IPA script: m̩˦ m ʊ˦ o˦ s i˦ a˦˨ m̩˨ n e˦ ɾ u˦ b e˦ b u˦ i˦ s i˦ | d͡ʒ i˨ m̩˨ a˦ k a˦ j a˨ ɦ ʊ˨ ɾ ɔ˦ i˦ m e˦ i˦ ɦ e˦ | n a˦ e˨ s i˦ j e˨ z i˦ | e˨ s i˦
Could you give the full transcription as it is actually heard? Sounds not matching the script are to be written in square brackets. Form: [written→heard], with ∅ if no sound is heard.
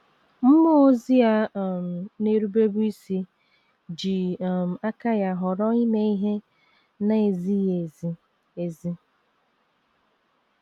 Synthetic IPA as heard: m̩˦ m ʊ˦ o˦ [s→z] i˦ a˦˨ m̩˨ n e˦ ɾ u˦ b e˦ b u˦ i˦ s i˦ | d͡ʒ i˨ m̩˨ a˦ k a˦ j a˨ ɦ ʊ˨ ɾ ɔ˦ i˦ m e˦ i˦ ɦ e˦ | n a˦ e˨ [s→z] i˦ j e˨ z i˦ | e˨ [s→z] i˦

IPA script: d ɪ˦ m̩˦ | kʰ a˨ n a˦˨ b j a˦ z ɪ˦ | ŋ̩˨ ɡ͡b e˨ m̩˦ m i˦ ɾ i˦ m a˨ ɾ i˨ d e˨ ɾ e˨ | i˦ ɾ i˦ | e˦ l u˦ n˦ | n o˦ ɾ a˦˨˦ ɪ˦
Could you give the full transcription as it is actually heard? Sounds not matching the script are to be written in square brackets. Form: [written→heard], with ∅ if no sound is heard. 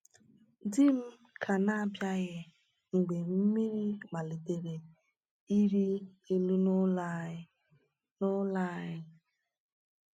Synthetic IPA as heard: d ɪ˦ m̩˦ | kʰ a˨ n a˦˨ b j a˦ [z→ɣ] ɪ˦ | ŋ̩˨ ɡ͡b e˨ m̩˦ m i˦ ɾ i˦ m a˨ [ɾ→l] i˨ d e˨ ɾ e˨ | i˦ ɾ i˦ | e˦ l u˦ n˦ | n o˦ [ɾ→l] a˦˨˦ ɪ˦

